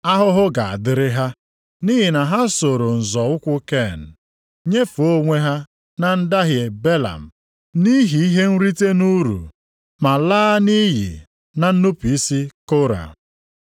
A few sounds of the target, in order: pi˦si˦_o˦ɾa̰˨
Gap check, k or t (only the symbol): k